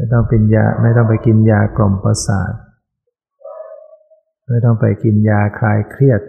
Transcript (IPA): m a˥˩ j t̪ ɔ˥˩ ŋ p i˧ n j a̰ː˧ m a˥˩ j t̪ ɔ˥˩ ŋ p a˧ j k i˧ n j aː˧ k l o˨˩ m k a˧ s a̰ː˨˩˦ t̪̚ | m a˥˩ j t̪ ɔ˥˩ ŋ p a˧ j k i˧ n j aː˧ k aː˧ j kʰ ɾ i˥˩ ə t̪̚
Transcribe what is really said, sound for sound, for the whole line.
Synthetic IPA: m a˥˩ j t̪ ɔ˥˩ ŋ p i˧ n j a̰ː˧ m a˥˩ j t̪ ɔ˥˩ ŋ p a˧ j k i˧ n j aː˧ k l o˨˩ m p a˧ s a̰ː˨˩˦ t̪̚ | m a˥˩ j t̪ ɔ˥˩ ŋ p a˧ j k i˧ n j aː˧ kʰ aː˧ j kʰ ɾ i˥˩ ə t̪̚